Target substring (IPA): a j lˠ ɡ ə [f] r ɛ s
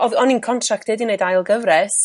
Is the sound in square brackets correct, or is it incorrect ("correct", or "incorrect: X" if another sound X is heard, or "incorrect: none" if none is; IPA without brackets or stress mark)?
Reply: incorrect: v